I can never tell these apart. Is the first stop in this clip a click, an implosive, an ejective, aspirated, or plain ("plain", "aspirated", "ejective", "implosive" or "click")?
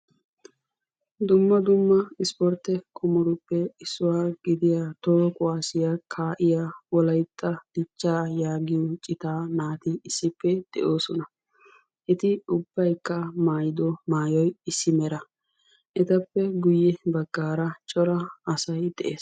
plain